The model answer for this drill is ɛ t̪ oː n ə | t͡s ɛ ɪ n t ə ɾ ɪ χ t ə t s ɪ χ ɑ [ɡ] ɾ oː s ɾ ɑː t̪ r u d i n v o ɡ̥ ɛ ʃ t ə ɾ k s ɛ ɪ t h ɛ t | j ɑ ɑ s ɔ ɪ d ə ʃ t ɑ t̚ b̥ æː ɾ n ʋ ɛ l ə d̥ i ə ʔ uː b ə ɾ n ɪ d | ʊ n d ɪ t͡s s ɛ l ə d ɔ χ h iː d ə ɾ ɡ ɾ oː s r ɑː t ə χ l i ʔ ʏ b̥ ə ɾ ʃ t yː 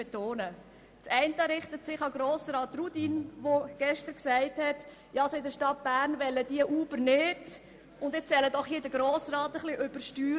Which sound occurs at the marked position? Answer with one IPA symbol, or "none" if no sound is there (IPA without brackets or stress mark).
ɡ